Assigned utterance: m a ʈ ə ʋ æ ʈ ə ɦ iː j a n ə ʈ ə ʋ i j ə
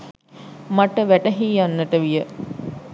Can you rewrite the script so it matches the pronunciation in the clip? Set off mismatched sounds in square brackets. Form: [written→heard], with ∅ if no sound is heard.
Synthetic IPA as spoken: m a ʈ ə ʋ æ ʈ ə ɦ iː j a [n→nː] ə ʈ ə ʋ i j ə